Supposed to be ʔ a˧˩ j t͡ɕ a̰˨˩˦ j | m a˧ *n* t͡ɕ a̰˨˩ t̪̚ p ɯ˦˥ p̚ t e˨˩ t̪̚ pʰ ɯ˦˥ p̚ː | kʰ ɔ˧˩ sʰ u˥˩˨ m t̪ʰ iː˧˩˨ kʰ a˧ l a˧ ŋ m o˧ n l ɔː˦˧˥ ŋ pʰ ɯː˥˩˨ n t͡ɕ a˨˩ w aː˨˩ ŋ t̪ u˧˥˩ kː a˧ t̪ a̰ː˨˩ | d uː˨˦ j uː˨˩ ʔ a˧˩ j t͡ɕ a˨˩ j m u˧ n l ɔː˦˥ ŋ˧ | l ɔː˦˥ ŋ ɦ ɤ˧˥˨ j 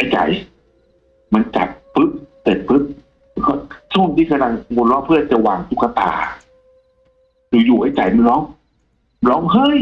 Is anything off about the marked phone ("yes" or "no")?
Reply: no